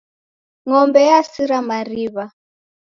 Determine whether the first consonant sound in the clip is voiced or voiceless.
voiced